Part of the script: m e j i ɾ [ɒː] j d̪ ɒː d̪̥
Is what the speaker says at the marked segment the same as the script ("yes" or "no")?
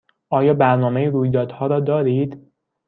no